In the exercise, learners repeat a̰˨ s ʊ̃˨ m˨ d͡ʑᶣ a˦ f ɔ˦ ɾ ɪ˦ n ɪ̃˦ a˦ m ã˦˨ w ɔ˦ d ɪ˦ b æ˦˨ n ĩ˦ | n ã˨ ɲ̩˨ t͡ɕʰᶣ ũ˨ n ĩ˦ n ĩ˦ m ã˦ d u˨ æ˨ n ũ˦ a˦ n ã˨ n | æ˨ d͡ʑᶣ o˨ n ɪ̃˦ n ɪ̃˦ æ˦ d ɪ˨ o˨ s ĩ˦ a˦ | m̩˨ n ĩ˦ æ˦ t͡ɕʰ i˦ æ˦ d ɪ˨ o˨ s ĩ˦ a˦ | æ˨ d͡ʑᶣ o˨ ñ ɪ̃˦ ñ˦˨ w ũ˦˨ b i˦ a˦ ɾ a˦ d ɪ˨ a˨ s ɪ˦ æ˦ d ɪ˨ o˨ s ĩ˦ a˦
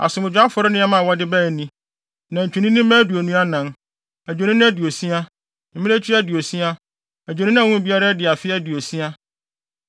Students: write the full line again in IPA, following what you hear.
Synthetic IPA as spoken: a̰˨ s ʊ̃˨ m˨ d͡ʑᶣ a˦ f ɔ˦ ɾ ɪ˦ n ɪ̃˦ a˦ m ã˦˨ w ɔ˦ d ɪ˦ b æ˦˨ n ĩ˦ | n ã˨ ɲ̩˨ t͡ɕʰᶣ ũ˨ n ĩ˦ n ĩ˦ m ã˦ d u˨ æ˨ n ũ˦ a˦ n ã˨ n | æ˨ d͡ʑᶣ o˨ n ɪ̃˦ n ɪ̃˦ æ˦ d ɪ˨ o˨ s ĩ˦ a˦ | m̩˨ m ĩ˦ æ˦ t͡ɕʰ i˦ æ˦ d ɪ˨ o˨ s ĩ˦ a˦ | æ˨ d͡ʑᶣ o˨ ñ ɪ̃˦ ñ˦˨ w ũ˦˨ b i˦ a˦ ɾ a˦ d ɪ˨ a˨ f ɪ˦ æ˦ d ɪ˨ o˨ s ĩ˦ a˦